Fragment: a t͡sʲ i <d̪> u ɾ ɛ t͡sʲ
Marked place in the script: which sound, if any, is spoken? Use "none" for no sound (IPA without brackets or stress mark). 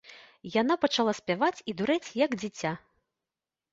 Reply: d̪